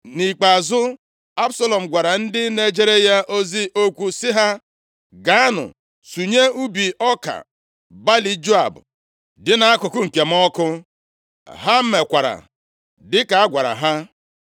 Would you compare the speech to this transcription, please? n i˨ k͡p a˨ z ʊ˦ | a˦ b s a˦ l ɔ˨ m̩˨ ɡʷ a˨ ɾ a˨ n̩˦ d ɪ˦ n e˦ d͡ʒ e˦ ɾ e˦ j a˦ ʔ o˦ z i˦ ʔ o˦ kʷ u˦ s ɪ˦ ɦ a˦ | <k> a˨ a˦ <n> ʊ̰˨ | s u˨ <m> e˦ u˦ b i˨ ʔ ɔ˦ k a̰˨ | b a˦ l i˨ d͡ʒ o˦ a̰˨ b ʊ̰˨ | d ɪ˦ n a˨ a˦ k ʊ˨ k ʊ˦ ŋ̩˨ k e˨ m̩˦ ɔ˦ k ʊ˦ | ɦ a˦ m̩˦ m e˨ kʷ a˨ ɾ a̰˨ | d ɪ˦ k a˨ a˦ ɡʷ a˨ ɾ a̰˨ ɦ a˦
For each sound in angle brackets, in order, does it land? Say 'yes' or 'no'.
no, yes, no

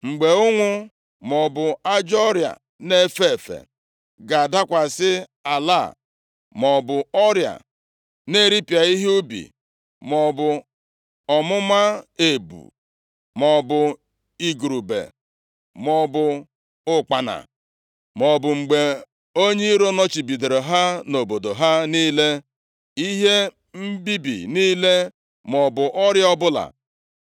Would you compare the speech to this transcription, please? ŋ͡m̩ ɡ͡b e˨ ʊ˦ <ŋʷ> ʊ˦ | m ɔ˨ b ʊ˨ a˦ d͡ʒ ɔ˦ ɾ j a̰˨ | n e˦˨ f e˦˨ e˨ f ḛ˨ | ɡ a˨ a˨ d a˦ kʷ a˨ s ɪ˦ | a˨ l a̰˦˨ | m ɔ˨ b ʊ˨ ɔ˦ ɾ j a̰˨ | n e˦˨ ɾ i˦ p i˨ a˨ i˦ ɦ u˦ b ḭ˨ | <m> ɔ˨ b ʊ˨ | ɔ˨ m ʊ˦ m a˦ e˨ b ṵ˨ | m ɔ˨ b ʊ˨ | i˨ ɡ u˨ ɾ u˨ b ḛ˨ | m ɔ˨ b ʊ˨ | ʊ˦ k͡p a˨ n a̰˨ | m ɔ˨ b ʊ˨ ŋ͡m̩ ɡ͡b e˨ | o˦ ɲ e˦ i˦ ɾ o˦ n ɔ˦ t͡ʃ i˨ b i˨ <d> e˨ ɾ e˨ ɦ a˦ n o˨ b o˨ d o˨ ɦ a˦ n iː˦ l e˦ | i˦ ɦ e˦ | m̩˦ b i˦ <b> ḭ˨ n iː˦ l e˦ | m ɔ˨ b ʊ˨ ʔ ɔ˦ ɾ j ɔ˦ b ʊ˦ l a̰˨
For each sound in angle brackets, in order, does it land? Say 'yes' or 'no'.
yes, yes, yes, yes

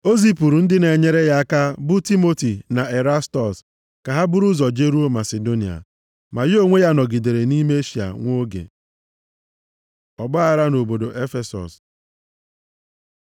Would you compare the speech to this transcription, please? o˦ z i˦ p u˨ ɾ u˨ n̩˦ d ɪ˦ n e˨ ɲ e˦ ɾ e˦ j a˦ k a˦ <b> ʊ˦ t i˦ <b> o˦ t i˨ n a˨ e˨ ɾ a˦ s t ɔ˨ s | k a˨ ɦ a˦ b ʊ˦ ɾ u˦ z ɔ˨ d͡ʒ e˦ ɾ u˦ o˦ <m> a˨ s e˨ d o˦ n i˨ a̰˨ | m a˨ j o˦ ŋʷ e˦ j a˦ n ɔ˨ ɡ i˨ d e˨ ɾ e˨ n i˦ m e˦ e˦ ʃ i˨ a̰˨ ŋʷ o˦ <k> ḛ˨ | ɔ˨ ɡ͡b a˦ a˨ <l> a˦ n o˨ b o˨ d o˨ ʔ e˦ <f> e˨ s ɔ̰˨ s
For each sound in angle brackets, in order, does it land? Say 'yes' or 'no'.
yes, no, yes, no, no, yes

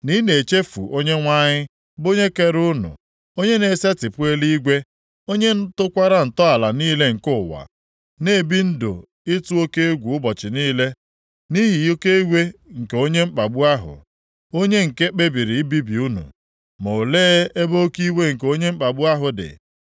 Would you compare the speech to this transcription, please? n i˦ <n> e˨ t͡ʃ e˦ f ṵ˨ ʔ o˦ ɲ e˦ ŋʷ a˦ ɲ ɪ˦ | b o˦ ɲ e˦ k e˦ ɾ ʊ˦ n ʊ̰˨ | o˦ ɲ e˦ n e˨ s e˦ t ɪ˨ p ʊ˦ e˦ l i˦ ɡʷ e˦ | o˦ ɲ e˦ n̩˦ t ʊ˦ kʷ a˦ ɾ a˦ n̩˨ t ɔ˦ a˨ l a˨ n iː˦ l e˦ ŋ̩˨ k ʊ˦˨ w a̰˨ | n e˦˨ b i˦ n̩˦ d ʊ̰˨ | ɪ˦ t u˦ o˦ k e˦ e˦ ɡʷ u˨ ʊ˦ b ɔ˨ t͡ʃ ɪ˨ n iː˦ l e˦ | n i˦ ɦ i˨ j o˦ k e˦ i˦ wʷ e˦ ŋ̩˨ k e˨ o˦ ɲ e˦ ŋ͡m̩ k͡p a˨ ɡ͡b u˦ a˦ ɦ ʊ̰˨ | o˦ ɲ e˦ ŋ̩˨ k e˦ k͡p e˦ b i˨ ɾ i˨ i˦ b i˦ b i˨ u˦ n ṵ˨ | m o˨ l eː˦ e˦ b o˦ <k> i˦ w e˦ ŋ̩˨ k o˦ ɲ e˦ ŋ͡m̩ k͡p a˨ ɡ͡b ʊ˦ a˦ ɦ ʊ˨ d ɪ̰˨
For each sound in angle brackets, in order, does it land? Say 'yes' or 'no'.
yes, yes

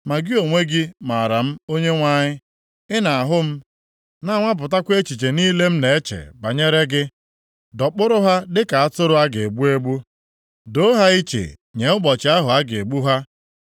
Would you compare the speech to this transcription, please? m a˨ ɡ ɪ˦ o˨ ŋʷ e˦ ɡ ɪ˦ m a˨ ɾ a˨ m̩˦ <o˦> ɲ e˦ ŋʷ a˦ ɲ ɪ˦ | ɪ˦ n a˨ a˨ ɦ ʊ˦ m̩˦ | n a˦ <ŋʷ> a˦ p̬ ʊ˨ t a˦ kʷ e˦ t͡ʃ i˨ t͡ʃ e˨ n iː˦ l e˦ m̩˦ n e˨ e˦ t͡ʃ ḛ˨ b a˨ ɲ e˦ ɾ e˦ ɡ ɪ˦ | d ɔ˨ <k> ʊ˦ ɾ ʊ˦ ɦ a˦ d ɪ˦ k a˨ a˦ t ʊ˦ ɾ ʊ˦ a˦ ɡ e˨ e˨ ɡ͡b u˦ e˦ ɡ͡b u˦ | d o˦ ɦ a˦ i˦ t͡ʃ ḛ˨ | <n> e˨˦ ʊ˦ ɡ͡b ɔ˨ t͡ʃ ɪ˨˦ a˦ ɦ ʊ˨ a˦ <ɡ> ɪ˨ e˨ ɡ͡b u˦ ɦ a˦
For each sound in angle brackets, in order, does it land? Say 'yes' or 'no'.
yes, yes, no, no, yes

